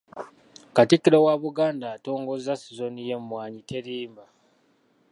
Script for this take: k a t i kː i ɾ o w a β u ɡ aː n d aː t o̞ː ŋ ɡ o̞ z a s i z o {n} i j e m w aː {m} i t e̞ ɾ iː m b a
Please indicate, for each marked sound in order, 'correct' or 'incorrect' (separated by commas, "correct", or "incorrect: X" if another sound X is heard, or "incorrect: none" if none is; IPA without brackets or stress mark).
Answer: correct, incorrect: ɲ